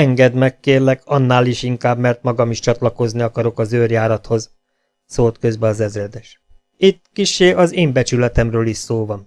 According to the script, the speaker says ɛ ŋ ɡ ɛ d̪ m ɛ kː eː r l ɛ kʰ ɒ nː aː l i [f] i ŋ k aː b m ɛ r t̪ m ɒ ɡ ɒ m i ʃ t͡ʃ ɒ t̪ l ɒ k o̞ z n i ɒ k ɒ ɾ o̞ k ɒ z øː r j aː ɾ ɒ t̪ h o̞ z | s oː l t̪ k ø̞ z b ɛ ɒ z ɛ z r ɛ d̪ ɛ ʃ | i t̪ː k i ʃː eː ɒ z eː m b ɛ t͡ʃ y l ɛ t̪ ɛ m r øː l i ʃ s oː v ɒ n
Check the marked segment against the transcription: incorrect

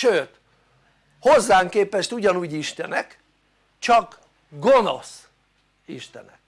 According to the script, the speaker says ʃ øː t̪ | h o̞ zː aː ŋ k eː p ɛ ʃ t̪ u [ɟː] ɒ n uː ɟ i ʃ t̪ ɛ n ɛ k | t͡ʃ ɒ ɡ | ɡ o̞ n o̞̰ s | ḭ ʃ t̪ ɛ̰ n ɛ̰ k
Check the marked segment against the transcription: incorrect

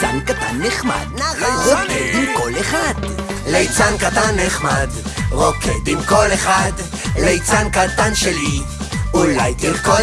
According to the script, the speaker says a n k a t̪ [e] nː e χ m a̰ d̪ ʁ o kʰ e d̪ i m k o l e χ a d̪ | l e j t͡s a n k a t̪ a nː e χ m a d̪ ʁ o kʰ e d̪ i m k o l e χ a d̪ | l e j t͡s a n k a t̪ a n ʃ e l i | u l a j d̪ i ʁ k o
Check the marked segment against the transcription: incorrect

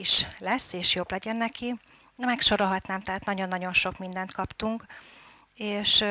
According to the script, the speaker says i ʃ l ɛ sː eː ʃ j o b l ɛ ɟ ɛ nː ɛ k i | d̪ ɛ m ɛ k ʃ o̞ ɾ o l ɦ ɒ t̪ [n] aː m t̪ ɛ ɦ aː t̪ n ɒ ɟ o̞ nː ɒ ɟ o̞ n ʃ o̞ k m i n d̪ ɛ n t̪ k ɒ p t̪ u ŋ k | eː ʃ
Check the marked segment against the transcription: correct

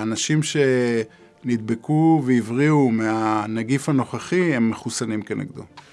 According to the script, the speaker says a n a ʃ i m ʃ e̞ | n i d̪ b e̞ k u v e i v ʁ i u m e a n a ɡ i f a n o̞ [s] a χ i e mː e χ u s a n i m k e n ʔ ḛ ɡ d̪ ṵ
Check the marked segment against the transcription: incorrect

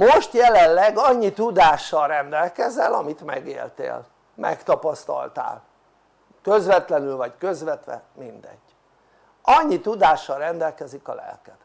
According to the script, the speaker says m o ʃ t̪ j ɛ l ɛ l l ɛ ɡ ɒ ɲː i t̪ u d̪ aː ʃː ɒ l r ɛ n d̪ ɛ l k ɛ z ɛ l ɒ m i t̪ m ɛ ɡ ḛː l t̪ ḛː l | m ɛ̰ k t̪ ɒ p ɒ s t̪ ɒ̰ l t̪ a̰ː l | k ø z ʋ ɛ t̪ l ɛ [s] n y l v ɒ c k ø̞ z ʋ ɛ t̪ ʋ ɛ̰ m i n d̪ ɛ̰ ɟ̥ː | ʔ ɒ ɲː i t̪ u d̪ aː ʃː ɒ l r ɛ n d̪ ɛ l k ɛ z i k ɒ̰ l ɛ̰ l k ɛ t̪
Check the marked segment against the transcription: incorrect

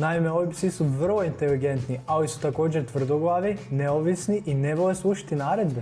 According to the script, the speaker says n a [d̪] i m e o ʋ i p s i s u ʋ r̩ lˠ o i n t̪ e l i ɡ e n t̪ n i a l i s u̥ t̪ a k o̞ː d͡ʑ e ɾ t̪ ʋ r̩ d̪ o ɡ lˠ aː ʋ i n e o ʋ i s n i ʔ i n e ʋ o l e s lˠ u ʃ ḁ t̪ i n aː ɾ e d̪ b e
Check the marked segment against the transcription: incorrect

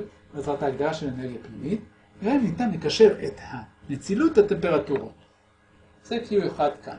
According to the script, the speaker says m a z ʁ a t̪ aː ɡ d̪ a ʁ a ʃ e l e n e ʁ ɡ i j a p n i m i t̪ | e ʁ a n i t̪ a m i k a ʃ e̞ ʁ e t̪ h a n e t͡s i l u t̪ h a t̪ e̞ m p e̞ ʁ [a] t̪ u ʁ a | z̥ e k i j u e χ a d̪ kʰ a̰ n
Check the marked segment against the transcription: correct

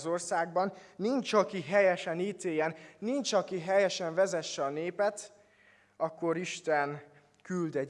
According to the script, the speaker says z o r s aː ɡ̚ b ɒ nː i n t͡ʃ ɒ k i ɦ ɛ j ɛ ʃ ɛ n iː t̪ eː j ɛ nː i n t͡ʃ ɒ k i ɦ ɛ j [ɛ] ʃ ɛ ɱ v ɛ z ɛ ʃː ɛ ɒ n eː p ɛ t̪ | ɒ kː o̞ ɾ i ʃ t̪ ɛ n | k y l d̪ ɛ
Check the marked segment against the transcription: correct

